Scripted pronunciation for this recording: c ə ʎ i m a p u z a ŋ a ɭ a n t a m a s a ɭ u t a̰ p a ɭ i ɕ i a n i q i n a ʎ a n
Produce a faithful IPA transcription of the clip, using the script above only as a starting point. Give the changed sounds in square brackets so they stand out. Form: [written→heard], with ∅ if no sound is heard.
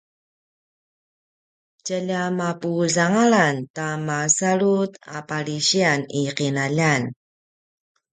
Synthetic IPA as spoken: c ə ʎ [i→a] m a p u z a ŋ a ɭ a n t a m a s a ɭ u t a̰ p a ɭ i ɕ i a n i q i n a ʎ a n